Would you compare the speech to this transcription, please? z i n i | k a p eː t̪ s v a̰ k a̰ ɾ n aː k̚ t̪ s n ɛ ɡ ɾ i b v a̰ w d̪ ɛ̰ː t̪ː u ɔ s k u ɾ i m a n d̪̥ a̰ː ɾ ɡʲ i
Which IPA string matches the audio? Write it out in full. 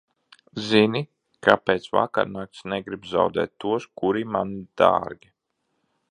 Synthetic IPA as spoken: z i n i | k a p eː t̪ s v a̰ k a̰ ɾ n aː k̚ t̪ s n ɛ ɡ ɾ i b z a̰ w d̪ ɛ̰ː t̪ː u ɔ s k u ɾ i m a n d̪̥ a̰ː ɾ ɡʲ i